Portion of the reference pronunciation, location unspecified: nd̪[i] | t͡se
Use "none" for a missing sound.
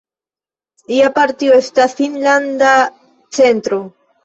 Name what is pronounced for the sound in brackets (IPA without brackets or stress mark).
a